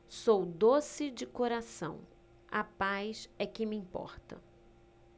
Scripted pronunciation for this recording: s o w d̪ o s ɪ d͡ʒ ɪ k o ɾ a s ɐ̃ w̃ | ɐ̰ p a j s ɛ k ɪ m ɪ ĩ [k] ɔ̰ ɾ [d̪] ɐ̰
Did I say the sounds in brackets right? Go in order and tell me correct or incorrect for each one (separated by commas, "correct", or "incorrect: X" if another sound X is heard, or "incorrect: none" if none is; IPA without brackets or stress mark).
incorrect: p, incorrect: t̪